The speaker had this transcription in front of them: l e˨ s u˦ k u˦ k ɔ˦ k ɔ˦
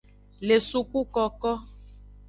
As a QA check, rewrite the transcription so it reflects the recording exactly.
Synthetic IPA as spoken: l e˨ s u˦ k u˦ k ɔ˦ k ɔ˦